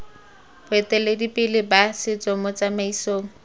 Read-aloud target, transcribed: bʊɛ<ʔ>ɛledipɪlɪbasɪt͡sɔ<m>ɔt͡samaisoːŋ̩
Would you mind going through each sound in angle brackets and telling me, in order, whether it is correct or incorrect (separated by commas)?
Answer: incorrect, correct